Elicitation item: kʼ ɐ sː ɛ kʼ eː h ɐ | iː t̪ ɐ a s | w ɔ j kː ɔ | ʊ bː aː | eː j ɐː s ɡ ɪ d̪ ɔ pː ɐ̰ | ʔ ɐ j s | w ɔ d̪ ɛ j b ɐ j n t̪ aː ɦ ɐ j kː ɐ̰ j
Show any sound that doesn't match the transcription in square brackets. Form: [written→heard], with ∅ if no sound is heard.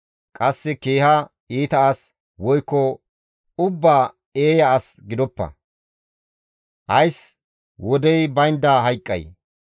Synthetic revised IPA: kʼ ɐ sː ɛ [kʼ→k] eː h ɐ | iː t̪ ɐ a s | w ɔ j kː ɔ | ʊ bː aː | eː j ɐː s ɡ ɪ d̪ ɔ pː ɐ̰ | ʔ ɐ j s | w ɔ d̪ ɛ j b ɐ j n [t̪→d̪] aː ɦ ɐ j [kː→kʼː] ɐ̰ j